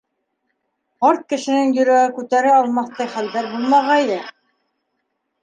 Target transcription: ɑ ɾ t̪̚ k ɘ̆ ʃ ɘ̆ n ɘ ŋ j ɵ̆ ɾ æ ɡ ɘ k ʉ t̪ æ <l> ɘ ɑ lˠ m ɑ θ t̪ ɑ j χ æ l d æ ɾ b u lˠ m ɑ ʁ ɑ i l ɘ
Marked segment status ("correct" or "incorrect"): incorrect